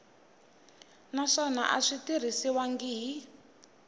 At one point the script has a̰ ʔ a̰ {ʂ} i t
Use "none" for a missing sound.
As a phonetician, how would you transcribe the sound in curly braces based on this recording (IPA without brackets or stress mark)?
ʂ